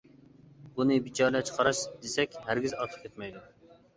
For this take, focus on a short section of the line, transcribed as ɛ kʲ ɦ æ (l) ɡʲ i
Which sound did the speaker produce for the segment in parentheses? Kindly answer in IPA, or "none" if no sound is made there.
ɾ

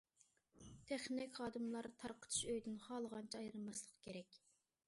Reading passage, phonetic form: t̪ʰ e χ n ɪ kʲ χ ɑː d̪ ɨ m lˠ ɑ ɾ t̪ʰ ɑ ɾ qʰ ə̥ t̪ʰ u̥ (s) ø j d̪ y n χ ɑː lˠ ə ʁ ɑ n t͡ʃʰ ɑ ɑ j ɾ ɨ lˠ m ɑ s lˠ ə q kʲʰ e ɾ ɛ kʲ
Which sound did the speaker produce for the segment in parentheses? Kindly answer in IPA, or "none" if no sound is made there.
ʃ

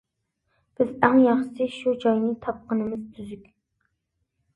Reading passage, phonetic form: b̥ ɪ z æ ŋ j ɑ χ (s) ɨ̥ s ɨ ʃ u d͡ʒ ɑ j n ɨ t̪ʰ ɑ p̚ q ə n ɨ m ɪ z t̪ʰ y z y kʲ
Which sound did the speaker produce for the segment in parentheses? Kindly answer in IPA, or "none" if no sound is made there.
ʃ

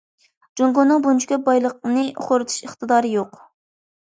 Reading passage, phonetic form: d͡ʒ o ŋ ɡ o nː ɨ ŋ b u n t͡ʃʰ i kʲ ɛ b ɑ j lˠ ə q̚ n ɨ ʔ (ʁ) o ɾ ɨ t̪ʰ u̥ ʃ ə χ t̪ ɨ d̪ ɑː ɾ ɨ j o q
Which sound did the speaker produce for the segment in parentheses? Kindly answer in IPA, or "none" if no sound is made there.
χ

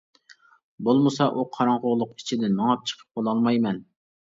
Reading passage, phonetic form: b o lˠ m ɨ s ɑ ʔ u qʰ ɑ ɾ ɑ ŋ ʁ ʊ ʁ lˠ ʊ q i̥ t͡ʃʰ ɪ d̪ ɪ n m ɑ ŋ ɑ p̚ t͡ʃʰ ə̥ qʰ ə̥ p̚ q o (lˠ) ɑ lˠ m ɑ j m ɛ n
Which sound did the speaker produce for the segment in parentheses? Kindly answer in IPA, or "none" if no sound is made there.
lˠ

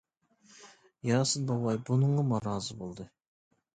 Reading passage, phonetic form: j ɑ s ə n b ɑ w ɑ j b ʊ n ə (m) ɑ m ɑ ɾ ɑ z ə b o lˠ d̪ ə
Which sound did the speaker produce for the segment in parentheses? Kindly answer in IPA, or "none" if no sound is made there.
ɴ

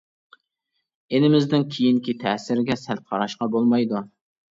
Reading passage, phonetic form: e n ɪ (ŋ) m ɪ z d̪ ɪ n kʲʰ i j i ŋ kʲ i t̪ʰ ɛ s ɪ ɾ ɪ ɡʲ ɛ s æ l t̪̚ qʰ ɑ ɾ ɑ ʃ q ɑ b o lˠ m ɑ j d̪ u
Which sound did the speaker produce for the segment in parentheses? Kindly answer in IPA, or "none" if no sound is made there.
none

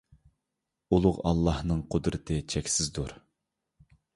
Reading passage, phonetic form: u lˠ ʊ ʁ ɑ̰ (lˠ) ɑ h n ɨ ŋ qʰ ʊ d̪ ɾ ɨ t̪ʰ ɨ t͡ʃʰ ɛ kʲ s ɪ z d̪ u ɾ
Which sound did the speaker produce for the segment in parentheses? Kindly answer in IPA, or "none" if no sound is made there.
lˠː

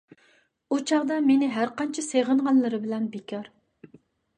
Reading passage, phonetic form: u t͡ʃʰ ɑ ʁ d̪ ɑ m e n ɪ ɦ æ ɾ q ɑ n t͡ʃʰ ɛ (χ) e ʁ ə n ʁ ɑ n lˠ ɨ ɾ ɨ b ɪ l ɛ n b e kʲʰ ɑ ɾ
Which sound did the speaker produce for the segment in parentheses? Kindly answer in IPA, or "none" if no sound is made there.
s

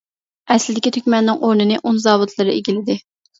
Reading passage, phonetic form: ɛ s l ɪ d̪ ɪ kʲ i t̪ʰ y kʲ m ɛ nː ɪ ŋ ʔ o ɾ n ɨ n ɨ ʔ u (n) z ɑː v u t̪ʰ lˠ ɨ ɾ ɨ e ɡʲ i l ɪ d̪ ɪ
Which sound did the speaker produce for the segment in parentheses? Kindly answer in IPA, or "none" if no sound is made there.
n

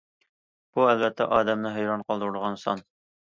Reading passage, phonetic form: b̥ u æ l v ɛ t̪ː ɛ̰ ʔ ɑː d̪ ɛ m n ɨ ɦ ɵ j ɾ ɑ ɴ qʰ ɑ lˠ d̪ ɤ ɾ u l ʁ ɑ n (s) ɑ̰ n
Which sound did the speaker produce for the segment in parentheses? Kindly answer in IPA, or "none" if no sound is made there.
s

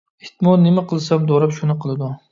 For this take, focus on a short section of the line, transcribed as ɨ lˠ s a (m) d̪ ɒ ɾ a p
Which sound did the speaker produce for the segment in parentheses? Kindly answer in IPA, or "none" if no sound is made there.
m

